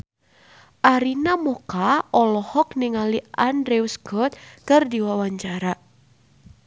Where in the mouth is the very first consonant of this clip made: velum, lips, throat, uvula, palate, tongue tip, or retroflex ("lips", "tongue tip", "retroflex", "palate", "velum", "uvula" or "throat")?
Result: throat